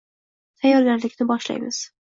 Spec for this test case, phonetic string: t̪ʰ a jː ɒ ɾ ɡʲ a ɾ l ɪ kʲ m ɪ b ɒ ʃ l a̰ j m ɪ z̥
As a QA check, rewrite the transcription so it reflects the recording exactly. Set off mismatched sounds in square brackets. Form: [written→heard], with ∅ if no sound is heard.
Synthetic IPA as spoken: t̪ʰ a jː ɒ ɾ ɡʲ a ɾ l ɪ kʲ [m→n] ɪ b ɒ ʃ l a̰ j m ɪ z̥